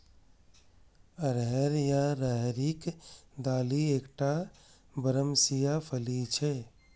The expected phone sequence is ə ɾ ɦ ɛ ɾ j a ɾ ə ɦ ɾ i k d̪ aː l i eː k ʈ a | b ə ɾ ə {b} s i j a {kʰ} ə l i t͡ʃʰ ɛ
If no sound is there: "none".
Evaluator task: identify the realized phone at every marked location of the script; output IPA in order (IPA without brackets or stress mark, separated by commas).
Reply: m, pʰ